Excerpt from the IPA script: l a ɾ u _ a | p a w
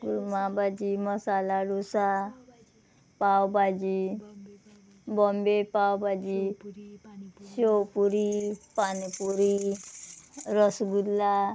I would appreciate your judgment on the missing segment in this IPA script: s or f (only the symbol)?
s